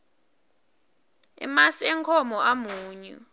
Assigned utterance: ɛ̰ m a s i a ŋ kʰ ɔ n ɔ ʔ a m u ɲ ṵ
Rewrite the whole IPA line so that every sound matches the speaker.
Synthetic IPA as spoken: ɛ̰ m a s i ɛ ŋ kʰ ɔ m ɔ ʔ a m uː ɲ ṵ